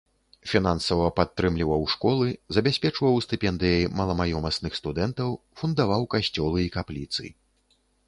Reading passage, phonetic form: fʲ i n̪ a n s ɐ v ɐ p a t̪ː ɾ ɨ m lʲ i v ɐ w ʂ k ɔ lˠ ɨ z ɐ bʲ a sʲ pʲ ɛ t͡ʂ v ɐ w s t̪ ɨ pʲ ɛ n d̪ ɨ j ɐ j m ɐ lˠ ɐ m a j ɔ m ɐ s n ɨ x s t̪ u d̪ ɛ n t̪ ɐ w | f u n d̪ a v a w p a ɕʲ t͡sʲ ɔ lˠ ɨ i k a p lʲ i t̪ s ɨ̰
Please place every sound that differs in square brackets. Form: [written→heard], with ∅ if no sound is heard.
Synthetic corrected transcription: fʲ i n̪ a n s ɐ v ɐ p a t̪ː ɾ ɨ m lʲ i v ɐ w ʂ k ɔ lˠ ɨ z ɐ bʲ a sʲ pʲ ɛ t͡ʂ v ɐ w s t̪ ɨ pʲ ɛ n d̪ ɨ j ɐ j m ɐ lˠ ɐ m a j ɔ m ɐ s n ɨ x s t̪ u d̪ ɛ n t̪ ɐ w | f u n d̪ a v a w [p→k] a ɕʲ t͡sʲ ɔ lˠ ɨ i k a p lʲ i t̪ s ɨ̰